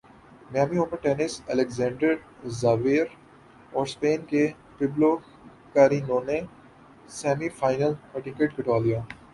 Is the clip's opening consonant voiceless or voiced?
voiced